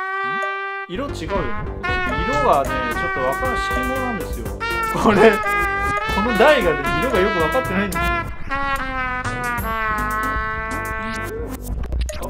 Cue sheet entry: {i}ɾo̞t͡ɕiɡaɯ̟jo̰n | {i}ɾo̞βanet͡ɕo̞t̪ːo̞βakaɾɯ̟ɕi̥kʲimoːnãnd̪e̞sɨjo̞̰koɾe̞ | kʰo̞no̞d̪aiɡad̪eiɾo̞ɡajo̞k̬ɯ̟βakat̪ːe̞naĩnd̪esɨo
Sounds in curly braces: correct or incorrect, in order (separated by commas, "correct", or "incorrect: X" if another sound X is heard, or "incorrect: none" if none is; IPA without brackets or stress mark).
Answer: correct, correct